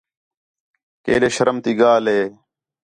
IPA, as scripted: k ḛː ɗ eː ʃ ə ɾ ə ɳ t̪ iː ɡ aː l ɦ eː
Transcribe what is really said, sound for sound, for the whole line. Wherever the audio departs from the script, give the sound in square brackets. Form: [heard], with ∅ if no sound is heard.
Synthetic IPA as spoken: k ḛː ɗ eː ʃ ə ɾ ə [m] t̪ iː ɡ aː l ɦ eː

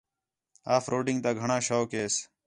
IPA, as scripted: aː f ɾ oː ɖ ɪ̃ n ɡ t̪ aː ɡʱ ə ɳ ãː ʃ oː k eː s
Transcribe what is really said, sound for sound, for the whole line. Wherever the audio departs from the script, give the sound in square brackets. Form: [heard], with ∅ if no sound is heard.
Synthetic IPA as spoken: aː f ɾ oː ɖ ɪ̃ [ŋ] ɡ t̪ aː ɡʱ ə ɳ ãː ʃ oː k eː s

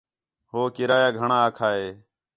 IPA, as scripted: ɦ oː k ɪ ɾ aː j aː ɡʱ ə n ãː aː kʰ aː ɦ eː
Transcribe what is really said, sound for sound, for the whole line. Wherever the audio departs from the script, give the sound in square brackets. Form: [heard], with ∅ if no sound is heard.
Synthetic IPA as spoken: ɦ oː k ɪ ɾ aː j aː ɡʱ ə [ɳ] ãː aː kʰ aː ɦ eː

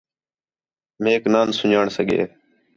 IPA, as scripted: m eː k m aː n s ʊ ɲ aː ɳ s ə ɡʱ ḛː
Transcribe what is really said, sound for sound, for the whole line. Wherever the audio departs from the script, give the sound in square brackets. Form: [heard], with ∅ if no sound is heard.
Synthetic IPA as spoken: m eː k [n] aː n s ʊ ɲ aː ɳ s ə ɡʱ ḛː

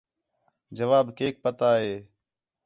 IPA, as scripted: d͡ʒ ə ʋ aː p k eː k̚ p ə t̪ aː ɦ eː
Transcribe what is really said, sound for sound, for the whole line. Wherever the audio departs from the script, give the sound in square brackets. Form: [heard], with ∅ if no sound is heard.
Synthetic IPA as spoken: d͡ʒ ə ʋ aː [b] k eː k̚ p ə t̪ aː ɦ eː

